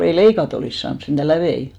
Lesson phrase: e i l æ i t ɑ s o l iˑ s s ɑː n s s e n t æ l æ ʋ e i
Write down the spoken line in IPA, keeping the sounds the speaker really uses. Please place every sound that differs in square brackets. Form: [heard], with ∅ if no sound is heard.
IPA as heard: e i l [e] i [k] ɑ [t] o l iˑ s s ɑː n s s e n t æ l æ ʋ e i